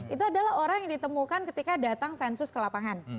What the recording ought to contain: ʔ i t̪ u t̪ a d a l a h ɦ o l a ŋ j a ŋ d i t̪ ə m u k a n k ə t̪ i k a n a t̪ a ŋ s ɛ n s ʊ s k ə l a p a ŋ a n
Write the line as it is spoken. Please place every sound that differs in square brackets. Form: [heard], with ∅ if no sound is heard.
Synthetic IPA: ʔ i t̪ u [∅] a d a l a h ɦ o [ɾ] a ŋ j a ŋ d i t̪ ə m u k a n k ə t̪ i k a [d] a t̪ a ŋ s ɛ n s ʊ s k ə l a p a ŋ a n